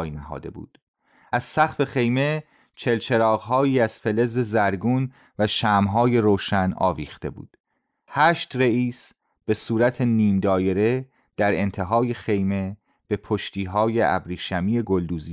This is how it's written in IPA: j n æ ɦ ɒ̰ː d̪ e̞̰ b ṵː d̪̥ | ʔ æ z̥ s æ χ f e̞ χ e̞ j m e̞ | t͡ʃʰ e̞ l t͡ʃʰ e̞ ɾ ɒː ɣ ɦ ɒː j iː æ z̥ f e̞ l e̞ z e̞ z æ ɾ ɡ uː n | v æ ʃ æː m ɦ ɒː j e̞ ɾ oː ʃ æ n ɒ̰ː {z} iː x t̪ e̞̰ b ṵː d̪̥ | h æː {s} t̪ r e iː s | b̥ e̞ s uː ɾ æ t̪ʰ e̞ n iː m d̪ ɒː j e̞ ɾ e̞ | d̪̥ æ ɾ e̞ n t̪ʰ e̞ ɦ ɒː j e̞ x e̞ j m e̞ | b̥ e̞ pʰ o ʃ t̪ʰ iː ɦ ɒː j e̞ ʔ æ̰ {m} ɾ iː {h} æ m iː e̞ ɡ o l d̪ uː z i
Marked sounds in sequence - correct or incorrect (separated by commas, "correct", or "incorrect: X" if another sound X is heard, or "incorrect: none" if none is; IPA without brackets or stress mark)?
incorrect: v, incorrect: ʃ, incorrect: b, incorrect: ʃ